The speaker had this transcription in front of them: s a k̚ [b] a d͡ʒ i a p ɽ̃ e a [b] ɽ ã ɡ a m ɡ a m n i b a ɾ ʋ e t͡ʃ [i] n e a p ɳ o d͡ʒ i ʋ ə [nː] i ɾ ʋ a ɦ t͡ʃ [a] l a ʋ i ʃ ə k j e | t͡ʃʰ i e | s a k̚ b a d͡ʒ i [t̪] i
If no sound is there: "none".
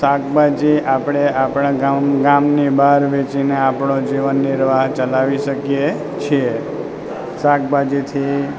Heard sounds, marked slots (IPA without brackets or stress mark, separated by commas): b, p, i, nː, ə, t̪ʰ